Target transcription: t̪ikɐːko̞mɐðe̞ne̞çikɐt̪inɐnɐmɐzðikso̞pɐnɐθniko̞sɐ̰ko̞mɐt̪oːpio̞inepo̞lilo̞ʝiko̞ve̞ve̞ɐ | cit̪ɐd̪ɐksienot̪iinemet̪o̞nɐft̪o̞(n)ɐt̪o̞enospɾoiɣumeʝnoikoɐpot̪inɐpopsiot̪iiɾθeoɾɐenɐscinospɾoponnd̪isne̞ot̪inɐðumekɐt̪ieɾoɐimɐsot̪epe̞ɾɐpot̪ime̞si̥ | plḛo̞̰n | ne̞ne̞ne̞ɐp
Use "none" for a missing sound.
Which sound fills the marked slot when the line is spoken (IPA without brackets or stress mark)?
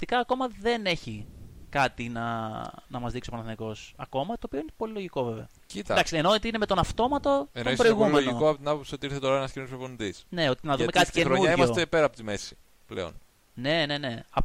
m